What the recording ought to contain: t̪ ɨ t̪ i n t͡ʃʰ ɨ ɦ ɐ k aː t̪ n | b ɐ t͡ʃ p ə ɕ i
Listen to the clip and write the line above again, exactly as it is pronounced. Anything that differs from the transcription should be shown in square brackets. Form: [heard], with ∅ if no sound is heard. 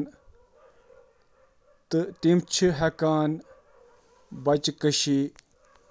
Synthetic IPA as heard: t̪ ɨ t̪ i [m] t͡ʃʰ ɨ ɦ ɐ k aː [∅] n | b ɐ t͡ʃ [k] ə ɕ i